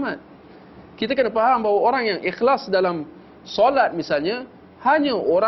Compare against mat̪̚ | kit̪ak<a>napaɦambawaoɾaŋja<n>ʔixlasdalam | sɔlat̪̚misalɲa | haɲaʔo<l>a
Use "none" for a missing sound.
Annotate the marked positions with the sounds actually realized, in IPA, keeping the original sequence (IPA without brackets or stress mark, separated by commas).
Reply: ə, ŋ, ɾ